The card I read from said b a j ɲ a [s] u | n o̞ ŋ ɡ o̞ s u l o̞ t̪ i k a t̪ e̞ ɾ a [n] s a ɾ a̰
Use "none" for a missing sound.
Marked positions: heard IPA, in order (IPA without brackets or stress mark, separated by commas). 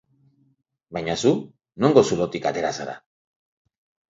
s, none